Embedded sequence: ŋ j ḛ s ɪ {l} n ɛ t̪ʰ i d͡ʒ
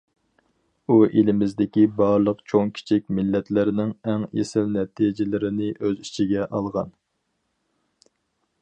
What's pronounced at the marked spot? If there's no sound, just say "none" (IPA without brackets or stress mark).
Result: l